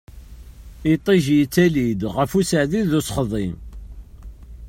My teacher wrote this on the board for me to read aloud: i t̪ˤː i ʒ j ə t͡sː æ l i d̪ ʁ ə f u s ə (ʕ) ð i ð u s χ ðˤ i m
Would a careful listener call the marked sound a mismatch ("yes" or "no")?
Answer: no